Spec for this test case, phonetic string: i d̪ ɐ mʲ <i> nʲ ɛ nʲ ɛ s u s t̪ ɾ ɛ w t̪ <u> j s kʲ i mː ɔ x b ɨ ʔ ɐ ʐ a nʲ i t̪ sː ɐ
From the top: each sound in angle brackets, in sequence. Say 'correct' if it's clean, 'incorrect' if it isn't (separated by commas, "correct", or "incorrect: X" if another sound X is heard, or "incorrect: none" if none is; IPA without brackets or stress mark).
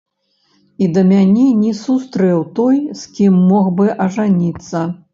incorrect: a, incorrect: ɔ